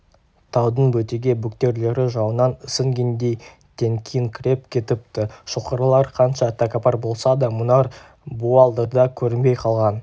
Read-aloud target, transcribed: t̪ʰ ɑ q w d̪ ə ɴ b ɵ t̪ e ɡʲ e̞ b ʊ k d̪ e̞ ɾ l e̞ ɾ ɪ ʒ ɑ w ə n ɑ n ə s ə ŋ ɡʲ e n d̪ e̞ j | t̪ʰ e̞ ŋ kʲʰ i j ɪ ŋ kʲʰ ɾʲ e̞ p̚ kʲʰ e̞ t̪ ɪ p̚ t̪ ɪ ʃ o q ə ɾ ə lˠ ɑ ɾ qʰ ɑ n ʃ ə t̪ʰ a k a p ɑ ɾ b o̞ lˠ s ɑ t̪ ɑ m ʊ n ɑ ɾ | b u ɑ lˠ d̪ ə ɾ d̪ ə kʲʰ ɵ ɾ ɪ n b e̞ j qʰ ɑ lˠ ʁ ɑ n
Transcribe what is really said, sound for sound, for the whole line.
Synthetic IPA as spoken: t̪ʰ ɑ w d̪ ə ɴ b ɵ t̪ e ɡʲ e̞ b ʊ k t̪ e̞ ɾ l e̞ ɾ ɪ ʒ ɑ w ə n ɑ n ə s ə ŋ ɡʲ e n d̪ e̞ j | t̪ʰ e̞ ŋ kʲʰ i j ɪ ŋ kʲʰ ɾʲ e̞ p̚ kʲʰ e̞ t̪ ɪ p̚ t̪ ɪ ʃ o q ə ɾ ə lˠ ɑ ɾ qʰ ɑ n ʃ ɑ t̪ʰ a k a p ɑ ɾ b o̞ lˠ s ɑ d̪ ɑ m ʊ n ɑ ɾ | b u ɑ lˠ d̪ ə ɾ d̪ ɑ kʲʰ ɵ ɾ ɪ n b e̞ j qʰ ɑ lˠ ʁ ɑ n